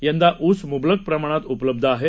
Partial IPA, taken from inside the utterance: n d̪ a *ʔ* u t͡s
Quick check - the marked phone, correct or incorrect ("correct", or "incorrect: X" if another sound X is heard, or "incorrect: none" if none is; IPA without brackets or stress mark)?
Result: correct